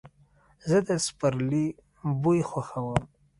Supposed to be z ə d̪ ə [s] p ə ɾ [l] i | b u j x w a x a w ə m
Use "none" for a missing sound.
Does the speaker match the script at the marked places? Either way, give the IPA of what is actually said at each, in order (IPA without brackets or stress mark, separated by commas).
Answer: s, l